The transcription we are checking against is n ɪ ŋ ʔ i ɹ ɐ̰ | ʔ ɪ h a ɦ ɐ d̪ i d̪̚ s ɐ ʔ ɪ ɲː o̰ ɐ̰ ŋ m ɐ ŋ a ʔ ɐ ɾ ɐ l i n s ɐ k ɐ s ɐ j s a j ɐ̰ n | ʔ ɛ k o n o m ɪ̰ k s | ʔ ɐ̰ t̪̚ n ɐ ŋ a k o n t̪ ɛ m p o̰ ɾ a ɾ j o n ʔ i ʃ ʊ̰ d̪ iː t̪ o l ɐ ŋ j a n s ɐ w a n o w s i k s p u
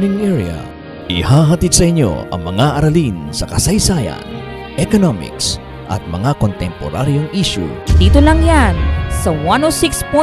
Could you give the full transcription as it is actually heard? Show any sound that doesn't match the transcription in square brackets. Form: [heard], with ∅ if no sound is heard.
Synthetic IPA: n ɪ ŋ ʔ [ɛ] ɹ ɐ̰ | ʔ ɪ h a ɦ ɐ [t̪] i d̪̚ s ɐ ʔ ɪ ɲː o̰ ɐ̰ ŋ m ɐ ŋ a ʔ ɐ ɾ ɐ l i n s ɐ k ɐ s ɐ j s a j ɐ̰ n | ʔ ɛ k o n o m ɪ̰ k s | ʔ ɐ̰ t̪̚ [m] ɐ ŋ a k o n t̪ ɛ m p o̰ ɾ a ɾ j o [ŋ] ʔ i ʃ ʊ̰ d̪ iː t̪ o l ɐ ŋ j a n s ɐ w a n o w s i k s p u